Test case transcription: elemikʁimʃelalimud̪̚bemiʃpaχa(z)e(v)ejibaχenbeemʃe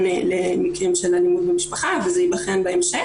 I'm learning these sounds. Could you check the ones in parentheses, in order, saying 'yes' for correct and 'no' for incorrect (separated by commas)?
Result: no, no